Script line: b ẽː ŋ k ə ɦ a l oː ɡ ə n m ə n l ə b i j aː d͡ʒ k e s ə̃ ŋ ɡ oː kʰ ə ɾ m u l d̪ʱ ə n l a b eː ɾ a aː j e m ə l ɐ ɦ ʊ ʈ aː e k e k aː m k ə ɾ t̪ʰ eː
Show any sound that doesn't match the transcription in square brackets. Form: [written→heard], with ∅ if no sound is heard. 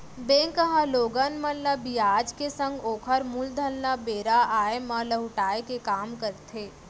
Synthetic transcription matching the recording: b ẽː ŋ k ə ɦ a l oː ɡ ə n m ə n l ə b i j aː d͡ʒ k e s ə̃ ŋ ɡ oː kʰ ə ɾ m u l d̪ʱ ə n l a b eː ɾ a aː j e m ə l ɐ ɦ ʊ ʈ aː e k e k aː m k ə ɾ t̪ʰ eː